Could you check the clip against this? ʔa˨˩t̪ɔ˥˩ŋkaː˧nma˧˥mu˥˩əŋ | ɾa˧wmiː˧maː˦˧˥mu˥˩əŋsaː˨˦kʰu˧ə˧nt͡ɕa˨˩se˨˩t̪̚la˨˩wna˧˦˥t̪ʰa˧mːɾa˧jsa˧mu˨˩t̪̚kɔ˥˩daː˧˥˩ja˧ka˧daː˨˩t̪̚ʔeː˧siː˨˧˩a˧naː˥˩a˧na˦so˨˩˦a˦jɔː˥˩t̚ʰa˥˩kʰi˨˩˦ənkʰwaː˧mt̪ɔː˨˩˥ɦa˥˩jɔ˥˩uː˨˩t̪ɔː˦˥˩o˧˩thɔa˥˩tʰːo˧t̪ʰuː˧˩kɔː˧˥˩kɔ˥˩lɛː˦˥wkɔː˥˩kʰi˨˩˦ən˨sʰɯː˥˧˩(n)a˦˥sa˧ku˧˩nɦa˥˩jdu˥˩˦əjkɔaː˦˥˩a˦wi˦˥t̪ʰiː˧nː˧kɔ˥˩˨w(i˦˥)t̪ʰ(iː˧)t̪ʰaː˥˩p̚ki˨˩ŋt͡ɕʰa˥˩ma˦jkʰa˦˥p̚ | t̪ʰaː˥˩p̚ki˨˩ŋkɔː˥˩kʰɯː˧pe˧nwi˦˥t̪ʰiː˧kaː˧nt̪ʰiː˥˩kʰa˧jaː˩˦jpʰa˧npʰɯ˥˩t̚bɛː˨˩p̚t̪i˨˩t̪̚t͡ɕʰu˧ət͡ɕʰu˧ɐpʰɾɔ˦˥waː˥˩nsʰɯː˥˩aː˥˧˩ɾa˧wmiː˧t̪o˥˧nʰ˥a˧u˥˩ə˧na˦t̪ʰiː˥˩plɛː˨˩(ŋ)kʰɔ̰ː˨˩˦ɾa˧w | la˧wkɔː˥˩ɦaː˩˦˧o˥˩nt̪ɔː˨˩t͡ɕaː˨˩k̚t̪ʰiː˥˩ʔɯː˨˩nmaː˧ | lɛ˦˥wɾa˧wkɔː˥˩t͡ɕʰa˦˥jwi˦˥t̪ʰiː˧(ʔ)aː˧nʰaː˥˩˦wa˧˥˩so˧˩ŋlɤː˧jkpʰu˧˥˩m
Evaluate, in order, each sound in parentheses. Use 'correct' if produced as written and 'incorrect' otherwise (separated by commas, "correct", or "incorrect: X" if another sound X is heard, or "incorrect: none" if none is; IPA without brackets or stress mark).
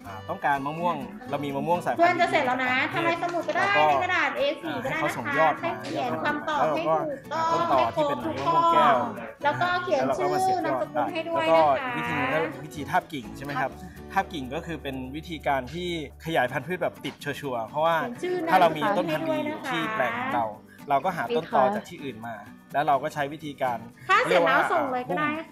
correct, correct, correct, correct, incorrect: k